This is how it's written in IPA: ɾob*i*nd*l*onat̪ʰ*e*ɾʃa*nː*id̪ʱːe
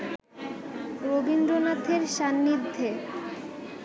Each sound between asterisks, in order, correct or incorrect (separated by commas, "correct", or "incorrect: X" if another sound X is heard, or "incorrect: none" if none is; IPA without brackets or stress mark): correct, incorrect: ɾ, correct, correct